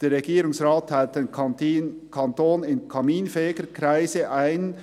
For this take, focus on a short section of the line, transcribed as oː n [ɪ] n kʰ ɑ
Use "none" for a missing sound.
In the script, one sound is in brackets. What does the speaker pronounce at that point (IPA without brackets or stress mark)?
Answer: ɪ